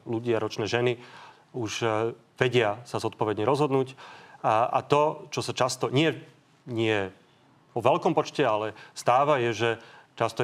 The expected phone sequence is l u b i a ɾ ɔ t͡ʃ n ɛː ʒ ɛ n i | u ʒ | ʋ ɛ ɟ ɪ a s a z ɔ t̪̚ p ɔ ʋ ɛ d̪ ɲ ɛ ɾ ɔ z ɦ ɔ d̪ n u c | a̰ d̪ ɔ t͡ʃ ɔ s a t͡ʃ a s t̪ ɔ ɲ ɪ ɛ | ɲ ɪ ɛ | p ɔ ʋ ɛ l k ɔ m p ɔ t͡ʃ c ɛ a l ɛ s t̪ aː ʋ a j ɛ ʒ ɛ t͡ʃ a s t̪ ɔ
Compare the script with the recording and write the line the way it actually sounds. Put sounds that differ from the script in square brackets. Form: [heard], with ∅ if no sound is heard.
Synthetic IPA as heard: l u [ɟ] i a ɾ ɔ t͡ʃ n ɛː ʒ ɛ n i | u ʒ | ʋ ɛ ɟ ɪ a s a z ɔ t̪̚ p ɔ ʋ ɛ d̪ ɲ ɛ ɾ ɔ z ɦ ɔ d̪ n [uː] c | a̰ [t̪] ɔ t͡ʃ ɔ s a t͡ʃ a s t̪ ɔ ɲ ɪ ɛ | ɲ ɪ ɛ | p ɔ ʋ ɛ l k ɔ m p ɔ t͡ʃ c ɛ a l ɛ s t̪ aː ʋ a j ɛ ʒ ɛ t͡ʃ a s t̪ ɔ